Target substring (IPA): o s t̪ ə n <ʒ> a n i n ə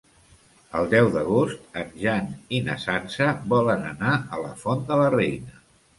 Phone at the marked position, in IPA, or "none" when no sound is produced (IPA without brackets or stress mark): ʒ